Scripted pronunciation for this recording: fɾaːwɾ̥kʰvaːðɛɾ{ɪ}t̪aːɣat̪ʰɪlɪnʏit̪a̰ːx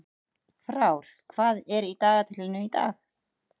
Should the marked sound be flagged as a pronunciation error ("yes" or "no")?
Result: yes